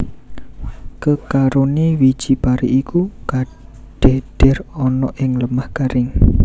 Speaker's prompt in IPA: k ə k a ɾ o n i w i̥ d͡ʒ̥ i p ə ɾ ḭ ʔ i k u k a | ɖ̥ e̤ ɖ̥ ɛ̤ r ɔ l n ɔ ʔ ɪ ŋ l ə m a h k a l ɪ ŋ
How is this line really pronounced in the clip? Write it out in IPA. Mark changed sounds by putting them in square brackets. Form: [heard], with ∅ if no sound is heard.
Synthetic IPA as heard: k ə k a ɾ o n i w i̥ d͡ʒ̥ i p [a] ɾ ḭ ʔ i k u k a | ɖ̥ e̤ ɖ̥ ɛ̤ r ɔ [∅] n ɔ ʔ ɪ ŋ l ə m a h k a [ɾ] ɪ ŋ